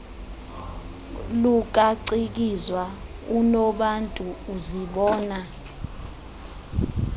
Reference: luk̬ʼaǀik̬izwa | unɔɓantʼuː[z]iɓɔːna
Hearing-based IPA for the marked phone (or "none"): z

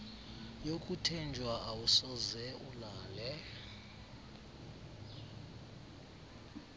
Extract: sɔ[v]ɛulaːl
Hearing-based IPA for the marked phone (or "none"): z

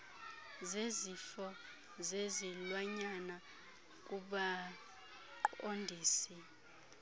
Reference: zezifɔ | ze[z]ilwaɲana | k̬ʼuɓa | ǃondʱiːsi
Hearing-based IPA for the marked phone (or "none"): z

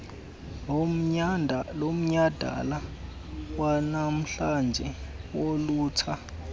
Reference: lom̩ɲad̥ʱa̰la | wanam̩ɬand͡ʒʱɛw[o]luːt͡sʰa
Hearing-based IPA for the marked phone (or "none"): o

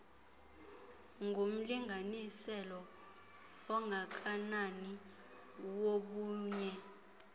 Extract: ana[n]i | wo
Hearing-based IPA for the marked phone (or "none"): n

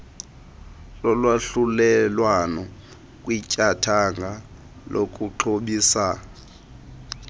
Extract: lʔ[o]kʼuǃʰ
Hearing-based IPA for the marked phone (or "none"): o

